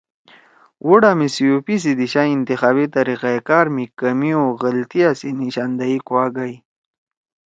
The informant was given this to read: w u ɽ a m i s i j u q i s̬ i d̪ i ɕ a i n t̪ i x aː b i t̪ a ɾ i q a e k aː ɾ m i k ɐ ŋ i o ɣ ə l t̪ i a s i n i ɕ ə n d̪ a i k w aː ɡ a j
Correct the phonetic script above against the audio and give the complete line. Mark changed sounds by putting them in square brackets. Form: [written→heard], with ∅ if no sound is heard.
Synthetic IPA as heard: w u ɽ a m i s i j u [q→p] i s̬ i d̪ i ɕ a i n t̪ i x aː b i t̪ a ɾ i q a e k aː ɾ m i k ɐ [ŋ→m] i o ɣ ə l t̪ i a s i n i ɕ [ə→a] n d̪ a i k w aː ɡ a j